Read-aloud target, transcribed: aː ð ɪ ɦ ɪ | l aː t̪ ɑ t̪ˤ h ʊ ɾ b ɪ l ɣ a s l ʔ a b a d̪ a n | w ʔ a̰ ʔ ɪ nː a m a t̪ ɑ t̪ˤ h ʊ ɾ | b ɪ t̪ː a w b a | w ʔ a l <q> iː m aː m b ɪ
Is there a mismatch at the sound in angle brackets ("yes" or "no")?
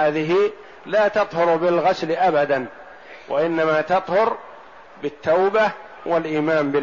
yes